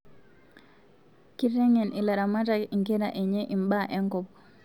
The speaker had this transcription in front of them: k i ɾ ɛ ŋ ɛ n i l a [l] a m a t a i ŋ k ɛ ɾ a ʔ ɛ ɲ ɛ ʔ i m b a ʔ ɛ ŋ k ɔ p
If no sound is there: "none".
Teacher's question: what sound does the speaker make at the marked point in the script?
ɾ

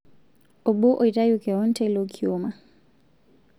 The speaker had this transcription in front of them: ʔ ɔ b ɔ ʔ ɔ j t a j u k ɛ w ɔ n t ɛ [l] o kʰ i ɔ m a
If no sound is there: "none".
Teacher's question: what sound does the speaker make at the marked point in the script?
l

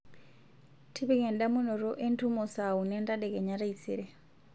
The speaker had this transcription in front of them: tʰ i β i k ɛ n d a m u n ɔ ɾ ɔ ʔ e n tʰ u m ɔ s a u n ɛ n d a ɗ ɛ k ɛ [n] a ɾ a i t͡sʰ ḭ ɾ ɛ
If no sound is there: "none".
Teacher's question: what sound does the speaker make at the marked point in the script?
ɲ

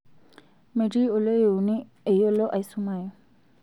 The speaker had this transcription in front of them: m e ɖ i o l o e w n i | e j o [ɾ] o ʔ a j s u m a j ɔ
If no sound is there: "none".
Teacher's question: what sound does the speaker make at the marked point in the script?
l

